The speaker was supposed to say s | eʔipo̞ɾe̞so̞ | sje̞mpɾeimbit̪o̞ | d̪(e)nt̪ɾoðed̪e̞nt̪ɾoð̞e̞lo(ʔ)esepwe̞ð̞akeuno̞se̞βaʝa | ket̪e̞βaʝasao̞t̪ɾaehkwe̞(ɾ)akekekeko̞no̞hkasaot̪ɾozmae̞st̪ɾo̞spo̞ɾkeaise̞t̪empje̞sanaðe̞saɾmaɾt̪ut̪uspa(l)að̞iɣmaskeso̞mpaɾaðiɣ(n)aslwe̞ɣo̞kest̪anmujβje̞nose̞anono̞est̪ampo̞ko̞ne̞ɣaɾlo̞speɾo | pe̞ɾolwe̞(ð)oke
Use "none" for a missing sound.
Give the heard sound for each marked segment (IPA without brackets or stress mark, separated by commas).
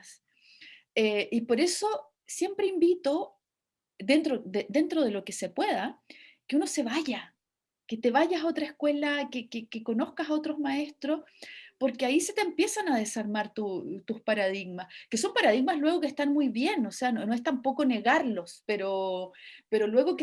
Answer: e, k, l, ɾ, m, ɣ